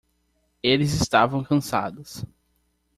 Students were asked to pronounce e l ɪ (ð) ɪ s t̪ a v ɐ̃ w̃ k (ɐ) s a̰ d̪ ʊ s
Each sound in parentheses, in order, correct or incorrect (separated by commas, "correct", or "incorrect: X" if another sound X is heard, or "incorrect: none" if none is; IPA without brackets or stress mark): incorrect: z, incorrect: ɐ̃